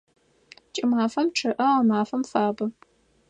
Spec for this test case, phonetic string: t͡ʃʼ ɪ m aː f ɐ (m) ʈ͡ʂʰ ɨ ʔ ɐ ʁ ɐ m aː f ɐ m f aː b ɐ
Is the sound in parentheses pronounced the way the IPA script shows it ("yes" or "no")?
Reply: yes